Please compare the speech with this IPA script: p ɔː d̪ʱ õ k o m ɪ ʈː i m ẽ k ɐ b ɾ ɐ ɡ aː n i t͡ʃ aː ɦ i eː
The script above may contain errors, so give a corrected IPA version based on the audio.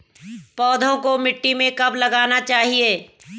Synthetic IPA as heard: p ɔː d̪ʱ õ k o m ɪ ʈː i m ẽ k ɐ b l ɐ ɡ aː n a t͡ʃ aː ɦ i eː